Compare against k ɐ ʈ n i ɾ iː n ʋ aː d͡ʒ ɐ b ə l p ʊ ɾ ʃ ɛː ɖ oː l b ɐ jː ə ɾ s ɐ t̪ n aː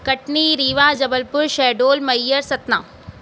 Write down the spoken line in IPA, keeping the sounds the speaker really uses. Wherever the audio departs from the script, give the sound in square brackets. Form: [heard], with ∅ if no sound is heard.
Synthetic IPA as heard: k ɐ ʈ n i ɾ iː [∅] ʋ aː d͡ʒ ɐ b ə l p ʊ ɾ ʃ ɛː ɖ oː l [m] ɐ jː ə ɾ s ɐ t̪ n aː